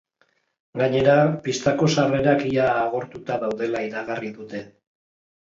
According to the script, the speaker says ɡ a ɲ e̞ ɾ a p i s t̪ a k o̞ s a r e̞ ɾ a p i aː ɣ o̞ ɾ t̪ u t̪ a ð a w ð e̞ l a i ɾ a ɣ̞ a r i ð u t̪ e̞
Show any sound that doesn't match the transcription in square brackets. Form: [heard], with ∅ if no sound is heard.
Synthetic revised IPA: ɡ a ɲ e̞ ɾ a p i s t̪ a k o̞ s a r e̞ ɾ a [k] i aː ɣ o̞ ɾ t̪ u t̪ a ð a w ð e̞ l a i ɾ a ɣ̞ a r i ð u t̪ e̞